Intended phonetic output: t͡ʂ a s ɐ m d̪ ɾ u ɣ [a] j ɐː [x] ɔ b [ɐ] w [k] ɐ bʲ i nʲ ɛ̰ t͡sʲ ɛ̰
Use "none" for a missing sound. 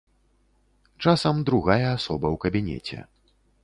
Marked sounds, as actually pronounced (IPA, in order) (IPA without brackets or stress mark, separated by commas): a, s, ɐ, k